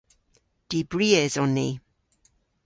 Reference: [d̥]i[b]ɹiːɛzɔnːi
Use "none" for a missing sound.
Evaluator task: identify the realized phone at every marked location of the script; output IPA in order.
d̥, b

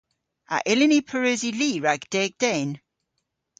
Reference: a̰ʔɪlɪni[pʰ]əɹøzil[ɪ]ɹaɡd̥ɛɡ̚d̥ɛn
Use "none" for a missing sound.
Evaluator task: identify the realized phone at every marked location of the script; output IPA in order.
pʰ, i

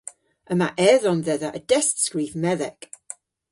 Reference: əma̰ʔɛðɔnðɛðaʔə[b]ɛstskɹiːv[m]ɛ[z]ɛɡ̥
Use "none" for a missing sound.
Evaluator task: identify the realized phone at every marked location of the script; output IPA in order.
d, m, ð

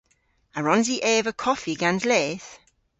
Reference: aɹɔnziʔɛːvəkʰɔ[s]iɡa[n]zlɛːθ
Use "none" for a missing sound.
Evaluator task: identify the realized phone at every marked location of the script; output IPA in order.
f, n

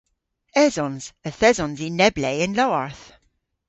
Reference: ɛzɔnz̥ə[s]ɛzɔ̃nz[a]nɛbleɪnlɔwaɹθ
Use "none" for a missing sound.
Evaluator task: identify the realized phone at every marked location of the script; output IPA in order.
θ, i

